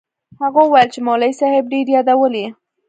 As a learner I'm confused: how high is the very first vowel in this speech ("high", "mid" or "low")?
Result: low